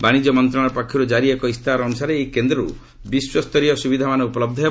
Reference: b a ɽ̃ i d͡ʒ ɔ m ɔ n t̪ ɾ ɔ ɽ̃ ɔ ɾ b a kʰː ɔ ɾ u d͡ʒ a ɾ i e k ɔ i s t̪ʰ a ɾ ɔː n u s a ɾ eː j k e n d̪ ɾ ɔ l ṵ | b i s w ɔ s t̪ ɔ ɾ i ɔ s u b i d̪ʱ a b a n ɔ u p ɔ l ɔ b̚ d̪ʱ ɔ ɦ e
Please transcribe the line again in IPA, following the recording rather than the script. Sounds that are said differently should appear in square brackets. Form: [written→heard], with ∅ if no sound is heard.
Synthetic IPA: b a ɽ̃ i d͡ʒ ɔ m ɔ n t̪ ɾ ɔ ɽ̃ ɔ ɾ [b→p] a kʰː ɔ ɾ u d͡ʒ a ɾ i e k ɔ i s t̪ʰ a ɾ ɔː n u s a ɾ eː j k e n d̪ ɾ ɔ [l→ɾ] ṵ | b i s w ɔ s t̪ ɔ ɾ i ɔ s u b i d̪ʱ a [b→m] a n ɔ u p ɔ l ɔ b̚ d̪ʱ ɔ ɦ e